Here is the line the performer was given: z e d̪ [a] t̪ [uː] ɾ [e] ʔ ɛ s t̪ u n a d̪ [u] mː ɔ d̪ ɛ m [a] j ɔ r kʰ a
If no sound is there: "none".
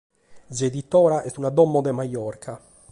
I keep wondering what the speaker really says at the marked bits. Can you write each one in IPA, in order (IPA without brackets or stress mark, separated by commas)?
i, ɔː, a, ɔ, a